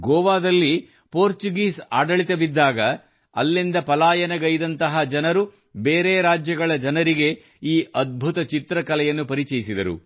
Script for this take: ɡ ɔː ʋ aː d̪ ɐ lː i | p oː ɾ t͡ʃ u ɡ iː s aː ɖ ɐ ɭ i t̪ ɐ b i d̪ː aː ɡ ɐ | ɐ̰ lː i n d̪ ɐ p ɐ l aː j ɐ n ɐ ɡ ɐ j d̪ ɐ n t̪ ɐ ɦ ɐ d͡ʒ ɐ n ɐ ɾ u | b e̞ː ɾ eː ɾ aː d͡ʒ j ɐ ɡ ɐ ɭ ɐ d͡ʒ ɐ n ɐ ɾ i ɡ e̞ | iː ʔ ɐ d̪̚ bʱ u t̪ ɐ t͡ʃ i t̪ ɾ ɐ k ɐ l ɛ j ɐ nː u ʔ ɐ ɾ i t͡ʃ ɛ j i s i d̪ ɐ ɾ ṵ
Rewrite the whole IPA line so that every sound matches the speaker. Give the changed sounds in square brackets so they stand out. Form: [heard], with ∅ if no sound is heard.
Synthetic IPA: ɡ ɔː ʋ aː d̪ ɐ lː i | p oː ɾ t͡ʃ u ɡ iː s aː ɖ ɐ ɭ i t̪ ɐ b i d̪ː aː ɡ ɐ | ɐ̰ lː i n d̪ ɐ p ɐ l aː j ɐ n ɐ ɡ ɐ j d̪ ɐ n t̪ ɐ ɦ ɐ d͡ʒ ɐ n ɐ ɾ u | b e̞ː ɾ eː ɾ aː d͡ʒ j ɐ ɡ ɐ ɭ ɐ d͡ʒ ɐ n ɐ ɾ i ɡ e̞ | iː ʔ ɐ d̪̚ bʱ u t̪ ɐ t͡ʃ i t̪ ɾ ɐ k ɐ l ɛ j ɐ nː u [p] ɐ ɾ i t͡ʃ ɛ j i s i d̪ ɐ ɾ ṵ